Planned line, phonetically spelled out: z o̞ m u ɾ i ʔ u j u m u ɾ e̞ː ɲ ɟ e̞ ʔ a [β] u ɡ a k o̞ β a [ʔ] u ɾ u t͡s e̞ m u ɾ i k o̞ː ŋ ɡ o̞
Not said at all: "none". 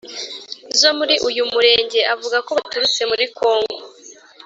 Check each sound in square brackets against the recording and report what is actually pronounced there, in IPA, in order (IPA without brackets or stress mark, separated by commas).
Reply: v, t